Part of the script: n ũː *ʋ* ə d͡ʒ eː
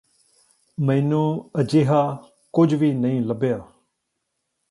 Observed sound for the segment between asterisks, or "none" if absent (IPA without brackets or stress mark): none